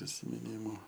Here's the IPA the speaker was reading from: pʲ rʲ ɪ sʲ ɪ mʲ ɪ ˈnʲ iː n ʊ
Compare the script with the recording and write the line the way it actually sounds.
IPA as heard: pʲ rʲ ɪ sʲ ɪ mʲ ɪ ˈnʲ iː m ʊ